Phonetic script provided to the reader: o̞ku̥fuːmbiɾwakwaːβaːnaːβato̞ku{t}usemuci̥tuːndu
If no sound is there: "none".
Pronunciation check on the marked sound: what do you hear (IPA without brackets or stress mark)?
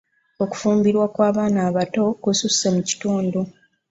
s